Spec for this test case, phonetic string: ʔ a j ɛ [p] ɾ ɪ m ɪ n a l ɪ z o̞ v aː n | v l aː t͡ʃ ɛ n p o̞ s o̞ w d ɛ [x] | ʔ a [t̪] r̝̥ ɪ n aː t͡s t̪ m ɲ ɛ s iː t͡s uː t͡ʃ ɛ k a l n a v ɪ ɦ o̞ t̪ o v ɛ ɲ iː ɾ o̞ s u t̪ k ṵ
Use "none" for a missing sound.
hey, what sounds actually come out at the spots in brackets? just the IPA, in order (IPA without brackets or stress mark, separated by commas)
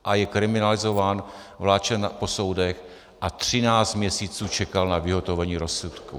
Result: k, x, t̪